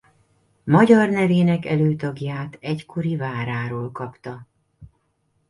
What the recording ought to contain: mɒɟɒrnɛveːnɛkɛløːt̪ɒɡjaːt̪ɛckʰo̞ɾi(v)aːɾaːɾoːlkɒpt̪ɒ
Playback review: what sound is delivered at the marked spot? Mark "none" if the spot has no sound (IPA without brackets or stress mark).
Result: v